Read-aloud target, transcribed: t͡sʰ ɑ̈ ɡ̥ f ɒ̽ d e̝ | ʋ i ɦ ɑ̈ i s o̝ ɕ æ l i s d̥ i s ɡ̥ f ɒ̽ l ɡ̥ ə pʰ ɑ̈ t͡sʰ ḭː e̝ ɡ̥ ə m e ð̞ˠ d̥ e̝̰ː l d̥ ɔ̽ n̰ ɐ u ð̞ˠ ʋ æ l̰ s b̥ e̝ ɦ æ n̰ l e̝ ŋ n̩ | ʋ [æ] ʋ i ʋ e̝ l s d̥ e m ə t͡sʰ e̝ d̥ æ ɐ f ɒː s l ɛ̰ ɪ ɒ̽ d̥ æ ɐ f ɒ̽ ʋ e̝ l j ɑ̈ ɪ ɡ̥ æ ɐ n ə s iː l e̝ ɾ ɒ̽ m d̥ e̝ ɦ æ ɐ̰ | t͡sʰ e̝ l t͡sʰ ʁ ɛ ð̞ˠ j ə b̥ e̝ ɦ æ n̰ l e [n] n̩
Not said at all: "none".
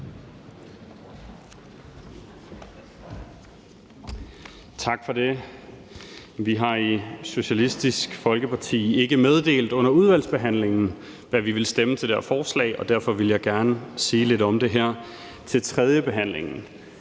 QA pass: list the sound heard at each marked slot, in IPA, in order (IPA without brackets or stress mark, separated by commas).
æ, ŋ